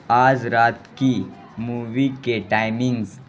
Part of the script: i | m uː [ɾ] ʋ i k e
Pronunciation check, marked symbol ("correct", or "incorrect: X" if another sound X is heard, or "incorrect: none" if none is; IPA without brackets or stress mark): incorrect: none